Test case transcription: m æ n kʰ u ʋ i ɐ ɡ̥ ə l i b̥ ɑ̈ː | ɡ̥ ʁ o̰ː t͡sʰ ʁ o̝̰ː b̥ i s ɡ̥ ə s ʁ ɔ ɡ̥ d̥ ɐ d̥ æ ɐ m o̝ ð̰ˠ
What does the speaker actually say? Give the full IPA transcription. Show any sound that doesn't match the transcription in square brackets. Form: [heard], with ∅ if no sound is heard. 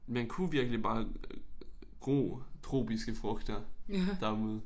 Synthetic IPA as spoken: m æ n kʰ u ʋ i ɐ ɡ̥ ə l i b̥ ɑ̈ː | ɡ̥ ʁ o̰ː t͡sʰ ʁ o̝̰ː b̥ i s ɡ̥ ə [f] ʁ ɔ ɡ̥ d̥ ɐ d̥ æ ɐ m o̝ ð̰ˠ